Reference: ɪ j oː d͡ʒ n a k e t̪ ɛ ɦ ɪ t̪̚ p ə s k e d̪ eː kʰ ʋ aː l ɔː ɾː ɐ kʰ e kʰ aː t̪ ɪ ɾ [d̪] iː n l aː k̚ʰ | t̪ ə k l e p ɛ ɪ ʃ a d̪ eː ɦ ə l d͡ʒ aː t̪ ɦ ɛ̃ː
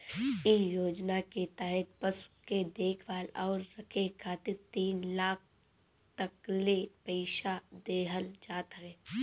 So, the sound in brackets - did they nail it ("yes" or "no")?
no